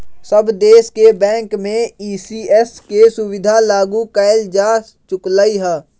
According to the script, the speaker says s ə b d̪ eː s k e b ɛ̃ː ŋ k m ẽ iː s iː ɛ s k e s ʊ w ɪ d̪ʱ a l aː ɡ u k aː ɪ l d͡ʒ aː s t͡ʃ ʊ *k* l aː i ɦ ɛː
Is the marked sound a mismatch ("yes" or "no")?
no